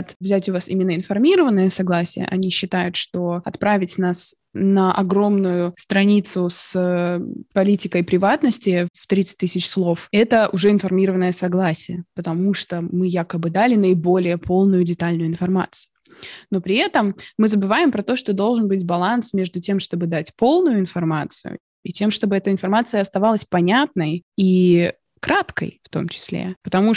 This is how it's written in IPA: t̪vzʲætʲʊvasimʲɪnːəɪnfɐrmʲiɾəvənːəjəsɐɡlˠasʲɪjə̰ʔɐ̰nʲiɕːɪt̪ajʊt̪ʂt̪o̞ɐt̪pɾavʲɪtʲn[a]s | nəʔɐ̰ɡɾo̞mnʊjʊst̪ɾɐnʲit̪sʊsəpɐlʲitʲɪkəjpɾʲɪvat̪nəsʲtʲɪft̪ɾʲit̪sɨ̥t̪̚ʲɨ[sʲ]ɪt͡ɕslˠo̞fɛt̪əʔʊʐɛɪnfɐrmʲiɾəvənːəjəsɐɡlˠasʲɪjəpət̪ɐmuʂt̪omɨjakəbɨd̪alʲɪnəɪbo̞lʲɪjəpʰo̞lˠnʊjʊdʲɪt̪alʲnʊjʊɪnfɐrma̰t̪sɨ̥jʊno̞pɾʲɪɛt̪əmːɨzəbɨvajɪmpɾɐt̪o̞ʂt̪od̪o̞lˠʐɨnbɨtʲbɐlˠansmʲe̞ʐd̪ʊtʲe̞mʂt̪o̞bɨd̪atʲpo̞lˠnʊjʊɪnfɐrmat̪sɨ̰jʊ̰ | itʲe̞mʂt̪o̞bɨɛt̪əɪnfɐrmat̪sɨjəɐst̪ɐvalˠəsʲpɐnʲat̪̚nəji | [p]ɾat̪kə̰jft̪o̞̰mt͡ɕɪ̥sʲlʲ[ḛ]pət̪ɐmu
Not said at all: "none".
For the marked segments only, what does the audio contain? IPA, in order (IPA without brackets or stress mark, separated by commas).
a, sʲ, k, ḛ